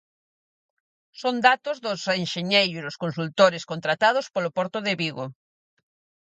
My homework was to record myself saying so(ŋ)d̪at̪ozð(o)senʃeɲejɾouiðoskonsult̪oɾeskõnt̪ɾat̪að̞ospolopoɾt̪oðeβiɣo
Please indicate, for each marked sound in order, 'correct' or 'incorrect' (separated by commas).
incorrect, correct